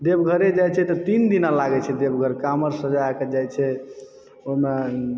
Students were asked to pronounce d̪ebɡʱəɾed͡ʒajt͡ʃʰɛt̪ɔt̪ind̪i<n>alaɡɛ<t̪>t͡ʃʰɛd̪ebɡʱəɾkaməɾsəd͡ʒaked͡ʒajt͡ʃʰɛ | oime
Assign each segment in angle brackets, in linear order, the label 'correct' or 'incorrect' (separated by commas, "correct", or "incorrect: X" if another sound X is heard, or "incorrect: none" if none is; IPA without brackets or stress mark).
correct, incorrect: none